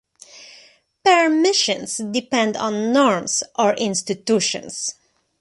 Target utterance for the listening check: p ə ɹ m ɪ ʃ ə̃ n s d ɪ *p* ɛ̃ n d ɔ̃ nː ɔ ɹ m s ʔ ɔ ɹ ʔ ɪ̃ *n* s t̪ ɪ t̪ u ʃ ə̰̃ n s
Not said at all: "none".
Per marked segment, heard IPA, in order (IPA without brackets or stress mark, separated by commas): p, n